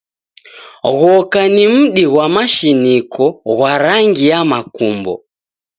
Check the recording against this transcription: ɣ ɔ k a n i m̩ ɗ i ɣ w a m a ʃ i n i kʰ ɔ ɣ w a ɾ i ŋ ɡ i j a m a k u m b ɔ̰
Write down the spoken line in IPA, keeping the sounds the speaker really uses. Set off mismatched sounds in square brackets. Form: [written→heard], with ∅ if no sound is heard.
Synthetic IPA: ɣ ɔ k a n i m̩ ɗ i ɣ w a m a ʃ i n i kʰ ɔ ɣ w a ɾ [i→a] ŋ ɡ i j a m a k u m b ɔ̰